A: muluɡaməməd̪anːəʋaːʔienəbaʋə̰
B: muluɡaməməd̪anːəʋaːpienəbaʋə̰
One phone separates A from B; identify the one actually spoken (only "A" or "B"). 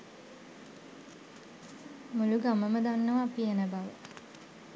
B